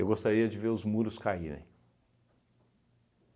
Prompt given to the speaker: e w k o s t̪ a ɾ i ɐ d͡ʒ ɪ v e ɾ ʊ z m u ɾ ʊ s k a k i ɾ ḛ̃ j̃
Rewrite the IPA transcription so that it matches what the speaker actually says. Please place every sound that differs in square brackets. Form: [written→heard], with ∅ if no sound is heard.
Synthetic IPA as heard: e w [k→ɡ] o s t̪ a ɾ i ɐ d͡ʒ ɪ v e ɾ ʊ z m u ɾ ʊ s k a [k→∅] i ɾ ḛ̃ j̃